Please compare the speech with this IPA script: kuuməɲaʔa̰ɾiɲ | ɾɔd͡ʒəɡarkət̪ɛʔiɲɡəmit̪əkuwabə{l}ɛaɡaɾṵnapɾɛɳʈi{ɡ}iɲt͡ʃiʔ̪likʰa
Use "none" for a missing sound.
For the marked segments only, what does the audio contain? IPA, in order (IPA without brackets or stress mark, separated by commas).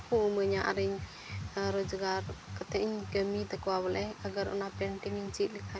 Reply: l, ŋ